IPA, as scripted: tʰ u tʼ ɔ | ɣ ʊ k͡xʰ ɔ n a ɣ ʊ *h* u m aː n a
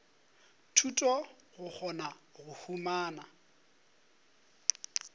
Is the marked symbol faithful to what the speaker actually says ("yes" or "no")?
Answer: yes